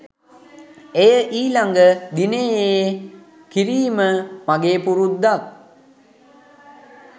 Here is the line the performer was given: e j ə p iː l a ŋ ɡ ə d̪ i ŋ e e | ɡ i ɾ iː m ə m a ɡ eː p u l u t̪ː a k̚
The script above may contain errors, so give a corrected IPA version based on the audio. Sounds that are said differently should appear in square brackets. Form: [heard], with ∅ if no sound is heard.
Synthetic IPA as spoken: e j ə [ʔ] iː l a ŋ ɡ ə d̪ i [n] e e | [k] i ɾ iː m ə m a ɡ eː p u [ɾ] u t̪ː a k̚

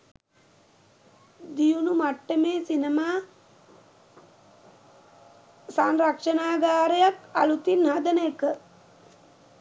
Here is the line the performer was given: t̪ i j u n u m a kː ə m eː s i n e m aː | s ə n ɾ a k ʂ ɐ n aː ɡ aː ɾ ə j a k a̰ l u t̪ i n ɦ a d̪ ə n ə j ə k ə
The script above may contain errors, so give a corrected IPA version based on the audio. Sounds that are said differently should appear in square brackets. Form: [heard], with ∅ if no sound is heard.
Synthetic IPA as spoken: [d̪] i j u n u m a [ʈː] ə m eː s i n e m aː | s [a] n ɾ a k ʂ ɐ n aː ɡ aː ɾ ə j a k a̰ l u t̪ i n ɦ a d̪ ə n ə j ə k ə

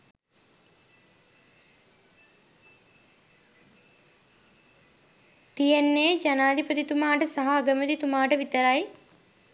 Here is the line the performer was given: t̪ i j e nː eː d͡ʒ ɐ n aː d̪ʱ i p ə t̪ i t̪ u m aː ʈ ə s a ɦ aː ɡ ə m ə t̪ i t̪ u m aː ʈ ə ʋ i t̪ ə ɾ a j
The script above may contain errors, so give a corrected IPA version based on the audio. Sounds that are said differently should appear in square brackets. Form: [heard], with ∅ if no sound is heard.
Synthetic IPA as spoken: t̪ i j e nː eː d͡ʒ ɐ n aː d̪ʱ i p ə t̪ i t̪ u m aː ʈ ə s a ɦ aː ɡ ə m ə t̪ i t̪ u m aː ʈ ə ʋ i t̪ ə ɾ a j

